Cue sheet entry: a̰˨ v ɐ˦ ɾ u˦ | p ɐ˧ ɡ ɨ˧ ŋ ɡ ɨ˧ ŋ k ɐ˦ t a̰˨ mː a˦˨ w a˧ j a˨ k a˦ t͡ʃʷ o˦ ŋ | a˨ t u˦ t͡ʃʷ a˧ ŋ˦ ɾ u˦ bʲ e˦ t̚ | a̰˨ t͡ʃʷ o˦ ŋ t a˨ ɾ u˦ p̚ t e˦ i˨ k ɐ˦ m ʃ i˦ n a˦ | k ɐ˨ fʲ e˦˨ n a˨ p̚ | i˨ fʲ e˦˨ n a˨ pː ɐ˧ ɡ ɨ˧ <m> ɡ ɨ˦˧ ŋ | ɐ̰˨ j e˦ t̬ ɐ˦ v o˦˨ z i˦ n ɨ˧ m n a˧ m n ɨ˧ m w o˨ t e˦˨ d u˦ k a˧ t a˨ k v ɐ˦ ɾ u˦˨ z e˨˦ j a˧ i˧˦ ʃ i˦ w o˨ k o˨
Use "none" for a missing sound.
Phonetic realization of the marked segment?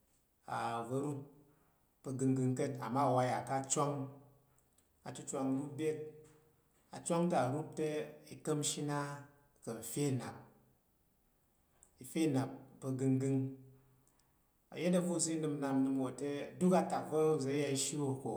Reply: ŋ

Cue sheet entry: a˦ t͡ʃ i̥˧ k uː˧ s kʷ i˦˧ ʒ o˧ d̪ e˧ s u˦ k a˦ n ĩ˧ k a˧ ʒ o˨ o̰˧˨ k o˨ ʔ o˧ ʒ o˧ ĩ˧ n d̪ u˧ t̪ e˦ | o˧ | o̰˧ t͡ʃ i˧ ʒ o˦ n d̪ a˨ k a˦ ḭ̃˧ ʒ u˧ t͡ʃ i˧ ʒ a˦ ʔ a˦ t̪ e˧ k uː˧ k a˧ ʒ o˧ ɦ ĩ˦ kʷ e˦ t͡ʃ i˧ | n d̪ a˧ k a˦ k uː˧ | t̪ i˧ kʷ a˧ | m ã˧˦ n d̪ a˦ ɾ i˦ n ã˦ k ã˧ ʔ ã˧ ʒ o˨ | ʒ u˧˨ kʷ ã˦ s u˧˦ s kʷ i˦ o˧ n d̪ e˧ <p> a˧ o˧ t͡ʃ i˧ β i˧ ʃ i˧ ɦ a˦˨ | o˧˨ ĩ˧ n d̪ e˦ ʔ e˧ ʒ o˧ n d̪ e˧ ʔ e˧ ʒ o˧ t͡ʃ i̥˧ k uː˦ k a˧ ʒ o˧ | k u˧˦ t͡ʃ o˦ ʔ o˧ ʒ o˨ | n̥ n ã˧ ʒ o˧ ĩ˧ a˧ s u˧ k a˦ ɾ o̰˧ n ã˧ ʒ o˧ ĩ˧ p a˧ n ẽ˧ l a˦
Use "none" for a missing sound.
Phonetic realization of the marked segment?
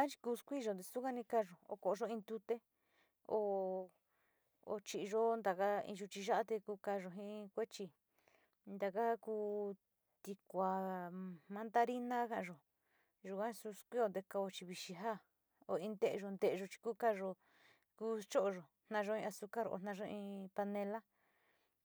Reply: k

